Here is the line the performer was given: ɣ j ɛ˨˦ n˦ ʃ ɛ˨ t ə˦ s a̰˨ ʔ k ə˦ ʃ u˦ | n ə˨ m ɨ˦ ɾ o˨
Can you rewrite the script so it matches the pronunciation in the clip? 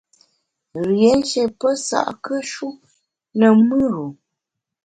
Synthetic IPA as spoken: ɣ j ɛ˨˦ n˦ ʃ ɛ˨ p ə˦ s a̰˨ ʔ k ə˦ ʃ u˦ | n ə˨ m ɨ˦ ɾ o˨